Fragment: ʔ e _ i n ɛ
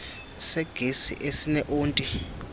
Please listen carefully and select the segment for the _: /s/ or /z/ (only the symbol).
s